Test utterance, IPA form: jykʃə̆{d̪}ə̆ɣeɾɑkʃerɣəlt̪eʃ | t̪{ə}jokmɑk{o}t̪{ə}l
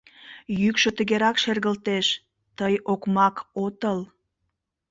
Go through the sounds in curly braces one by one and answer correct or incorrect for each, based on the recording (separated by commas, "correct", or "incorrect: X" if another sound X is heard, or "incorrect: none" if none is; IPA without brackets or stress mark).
incorrect: t̪, correct, correct, correct